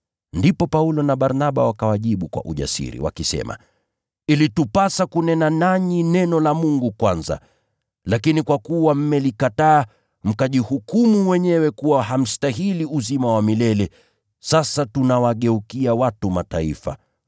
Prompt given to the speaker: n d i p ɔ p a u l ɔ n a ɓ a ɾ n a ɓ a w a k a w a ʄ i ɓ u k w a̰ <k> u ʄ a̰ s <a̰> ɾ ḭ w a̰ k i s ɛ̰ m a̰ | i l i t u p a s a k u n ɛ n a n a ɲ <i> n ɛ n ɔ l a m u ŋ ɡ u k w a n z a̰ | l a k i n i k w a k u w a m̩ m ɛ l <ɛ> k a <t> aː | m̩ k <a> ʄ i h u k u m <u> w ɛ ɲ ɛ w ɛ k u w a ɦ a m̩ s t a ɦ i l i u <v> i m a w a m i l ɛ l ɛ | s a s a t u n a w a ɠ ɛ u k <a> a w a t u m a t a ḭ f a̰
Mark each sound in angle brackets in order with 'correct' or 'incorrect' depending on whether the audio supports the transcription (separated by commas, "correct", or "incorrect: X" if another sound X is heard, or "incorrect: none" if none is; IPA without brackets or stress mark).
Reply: incorrect: ʔ, incorrect: ḭ, correct, incorrect: i, correct, correct, correct, incorrect: z, incorrect: i